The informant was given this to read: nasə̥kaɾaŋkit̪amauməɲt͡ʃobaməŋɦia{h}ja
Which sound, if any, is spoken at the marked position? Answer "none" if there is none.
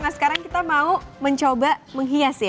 s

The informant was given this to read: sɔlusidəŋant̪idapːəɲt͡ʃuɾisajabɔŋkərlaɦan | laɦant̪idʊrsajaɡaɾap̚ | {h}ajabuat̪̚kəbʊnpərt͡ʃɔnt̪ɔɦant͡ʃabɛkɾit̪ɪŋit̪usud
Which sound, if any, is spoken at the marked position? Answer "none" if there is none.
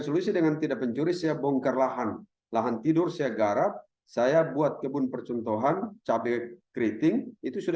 s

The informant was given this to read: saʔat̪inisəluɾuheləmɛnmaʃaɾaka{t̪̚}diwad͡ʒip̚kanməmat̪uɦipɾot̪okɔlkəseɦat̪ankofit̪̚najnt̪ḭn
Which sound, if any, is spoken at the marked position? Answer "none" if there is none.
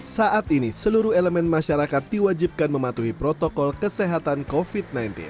t̪̚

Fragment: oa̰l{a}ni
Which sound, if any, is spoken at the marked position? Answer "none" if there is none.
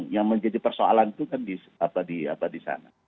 a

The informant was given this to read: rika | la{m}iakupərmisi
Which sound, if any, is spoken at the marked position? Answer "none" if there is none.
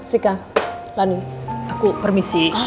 n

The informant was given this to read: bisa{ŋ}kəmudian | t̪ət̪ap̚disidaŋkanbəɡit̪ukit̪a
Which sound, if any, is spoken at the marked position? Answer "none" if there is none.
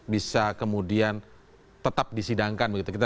none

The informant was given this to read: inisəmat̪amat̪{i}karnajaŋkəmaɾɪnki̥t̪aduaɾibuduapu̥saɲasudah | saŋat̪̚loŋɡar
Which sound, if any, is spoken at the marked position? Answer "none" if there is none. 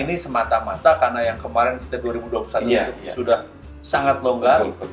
a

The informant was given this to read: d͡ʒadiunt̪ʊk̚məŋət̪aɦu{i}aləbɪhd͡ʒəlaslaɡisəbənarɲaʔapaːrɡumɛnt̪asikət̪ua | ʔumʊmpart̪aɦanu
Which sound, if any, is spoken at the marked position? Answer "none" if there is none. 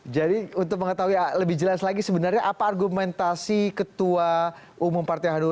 i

